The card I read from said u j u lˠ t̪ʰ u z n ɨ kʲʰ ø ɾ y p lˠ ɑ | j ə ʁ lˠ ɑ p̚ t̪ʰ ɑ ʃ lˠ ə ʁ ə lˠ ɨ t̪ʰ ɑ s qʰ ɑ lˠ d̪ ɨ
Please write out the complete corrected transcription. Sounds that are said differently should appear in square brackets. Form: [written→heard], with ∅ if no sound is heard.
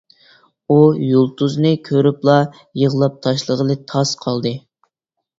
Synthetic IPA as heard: u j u lˠ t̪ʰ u z n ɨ kʲʰ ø ɾ y p lˠ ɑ | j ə ʁ lˠ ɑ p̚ t̪ʰ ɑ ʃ lˠ ə ʁ ə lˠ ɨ t̪ʰ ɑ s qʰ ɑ lˠ d̪ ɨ